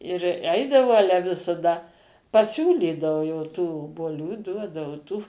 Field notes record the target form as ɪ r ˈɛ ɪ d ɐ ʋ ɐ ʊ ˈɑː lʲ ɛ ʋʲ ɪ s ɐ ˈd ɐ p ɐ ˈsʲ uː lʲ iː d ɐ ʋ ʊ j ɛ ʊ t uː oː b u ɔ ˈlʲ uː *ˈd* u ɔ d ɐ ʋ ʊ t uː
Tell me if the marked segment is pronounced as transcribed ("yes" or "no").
yes